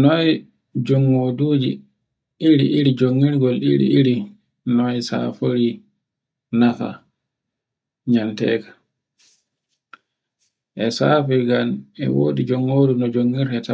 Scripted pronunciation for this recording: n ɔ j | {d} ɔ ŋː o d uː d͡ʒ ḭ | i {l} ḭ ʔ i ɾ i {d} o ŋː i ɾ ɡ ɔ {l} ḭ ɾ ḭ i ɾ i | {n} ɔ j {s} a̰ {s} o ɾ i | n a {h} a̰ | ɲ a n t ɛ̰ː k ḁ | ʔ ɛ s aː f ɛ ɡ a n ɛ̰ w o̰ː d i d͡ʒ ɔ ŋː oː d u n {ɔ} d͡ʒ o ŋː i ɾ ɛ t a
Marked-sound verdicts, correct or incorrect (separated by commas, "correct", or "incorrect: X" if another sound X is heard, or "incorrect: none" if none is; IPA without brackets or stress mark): incorrect: d͡ʒ, incorrect: ɾ, incorrect: d͡ʒ, correct, correct, correct, incorrect: f, incorrect: f, correct